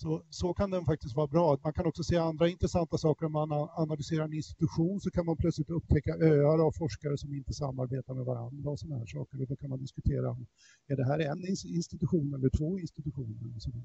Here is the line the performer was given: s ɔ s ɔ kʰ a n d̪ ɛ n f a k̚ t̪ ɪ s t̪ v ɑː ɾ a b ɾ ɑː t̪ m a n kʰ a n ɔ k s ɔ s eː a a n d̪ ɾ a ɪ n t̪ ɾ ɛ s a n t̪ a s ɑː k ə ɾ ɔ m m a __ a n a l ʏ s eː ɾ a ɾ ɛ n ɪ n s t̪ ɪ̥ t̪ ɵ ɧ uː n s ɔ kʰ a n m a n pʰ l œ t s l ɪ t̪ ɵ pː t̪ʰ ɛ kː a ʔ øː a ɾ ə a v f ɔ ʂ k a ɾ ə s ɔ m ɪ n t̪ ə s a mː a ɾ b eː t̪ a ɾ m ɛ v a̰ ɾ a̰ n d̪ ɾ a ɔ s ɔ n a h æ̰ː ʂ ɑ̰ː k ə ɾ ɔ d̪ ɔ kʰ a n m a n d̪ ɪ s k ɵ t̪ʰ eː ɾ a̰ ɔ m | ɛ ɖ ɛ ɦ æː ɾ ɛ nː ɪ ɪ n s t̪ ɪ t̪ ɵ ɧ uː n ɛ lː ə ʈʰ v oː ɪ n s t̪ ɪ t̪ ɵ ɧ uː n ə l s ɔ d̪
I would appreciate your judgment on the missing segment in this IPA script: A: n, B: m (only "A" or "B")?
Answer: A